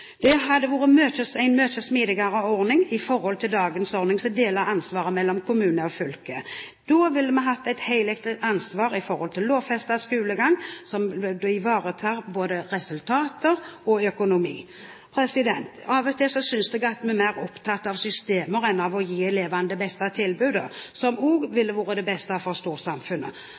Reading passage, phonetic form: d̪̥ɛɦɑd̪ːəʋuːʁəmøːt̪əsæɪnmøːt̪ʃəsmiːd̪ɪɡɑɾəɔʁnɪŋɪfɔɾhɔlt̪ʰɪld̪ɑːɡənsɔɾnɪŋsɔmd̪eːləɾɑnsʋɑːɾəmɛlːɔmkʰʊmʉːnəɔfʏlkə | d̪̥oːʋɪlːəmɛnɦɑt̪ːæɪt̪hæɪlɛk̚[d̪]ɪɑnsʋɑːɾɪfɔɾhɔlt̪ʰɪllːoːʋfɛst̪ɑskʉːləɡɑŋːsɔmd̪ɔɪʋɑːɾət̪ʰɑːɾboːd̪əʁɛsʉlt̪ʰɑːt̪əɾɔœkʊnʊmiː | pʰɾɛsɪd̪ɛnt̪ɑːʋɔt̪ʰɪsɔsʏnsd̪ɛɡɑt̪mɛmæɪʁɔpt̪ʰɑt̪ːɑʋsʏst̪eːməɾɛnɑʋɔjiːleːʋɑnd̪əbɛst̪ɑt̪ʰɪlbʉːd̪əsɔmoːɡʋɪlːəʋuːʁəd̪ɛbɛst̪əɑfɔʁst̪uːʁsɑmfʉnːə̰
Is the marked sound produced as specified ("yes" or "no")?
no